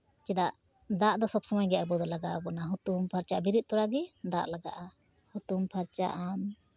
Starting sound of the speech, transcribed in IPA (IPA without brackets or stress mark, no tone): t͡ʃ